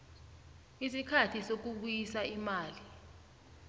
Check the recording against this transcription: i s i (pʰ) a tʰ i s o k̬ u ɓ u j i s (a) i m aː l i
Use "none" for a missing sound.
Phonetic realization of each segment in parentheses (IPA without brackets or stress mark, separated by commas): kʰ, a